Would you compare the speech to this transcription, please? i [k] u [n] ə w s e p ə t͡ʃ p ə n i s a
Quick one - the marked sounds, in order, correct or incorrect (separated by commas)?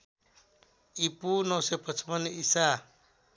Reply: incorrect, correct